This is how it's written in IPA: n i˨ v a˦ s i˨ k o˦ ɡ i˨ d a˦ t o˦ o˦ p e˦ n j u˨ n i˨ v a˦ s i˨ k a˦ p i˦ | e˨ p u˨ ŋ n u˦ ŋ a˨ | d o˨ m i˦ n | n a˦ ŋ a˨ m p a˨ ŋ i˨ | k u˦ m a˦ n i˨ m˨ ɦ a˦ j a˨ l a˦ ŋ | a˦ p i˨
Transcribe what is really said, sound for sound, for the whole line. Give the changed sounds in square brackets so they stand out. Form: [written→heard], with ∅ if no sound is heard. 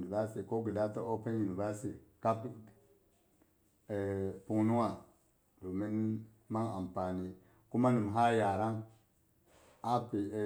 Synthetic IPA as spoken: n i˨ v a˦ s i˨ k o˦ ɡ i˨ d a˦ t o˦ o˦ p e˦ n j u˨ n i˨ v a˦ s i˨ k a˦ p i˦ | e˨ p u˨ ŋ n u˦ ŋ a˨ | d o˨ m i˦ n | [n→m] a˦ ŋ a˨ m p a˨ [ŋ→n] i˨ | k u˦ m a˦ n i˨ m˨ ɦ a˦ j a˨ [l→ɾ] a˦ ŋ | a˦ p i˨